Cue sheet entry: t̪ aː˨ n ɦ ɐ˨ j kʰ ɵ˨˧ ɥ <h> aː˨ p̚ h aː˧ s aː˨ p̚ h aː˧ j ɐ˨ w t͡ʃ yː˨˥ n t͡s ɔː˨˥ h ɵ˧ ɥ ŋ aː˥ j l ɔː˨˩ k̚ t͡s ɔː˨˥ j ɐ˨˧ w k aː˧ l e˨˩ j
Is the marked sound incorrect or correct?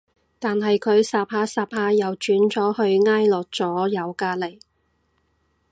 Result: incorrect